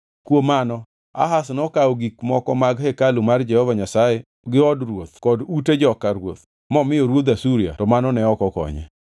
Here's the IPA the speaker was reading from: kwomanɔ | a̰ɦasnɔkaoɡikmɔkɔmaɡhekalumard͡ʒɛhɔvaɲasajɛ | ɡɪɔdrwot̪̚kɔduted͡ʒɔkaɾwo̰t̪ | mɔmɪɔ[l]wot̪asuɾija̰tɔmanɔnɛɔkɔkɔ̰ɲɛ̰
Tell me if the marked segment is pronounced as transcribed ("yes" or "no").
no